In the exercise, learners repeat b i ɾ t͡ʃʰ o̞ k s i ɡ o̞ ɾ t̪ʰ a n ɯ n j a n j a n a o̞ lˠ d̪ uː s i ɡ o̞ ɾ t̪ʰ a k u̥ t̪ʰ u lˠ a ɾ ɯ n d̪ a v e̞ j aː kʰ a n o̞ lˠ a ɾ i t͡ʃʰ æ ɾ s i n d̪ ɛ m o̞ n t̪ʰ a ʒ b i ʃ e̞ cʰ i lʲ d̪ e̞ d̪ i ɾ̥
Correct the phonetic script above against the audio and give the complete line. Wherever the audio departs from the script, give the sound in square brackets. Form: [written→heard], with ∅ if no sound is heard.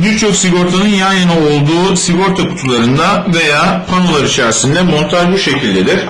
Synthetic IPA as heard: b i ɾ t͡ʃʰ o̞ k s i ɡ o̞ ɾ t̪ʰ a n ɯ n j a n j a n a o̞ lˠ d̪ uː s i ɡ o̞ ɾ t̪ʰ a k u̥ t̪ʰ u lˠ a ɾ ɯ n d̪ a v e̞ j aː [kʰ→pʰ] a n o̞ lˠ a ɾ i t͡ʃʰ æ ɾ s i n d̪ ɛ m o̞ n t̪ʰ a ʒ b i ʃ e̞ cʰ i lʲ d̪ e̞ d̪ i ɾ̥